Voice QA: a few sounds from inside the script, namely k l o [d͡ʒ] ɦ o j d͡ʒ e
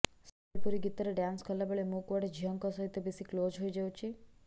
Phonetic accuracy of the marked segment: correct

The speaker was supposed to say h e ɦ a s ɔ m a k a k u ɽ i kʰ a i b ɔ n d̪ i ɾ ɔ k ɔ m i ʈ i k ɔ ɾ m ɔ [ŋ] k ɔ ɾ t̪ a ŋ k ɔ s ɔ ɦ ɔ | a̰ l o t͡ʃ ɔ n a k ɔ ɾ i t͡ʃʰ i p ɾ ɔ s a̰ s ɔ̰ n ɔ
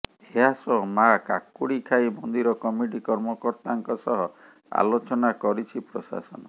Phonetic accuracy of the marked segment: incorrect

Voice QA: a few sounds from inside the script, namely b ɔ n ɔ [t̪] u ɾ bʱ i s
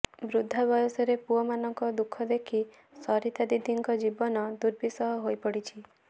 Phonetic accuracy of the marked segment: incorrect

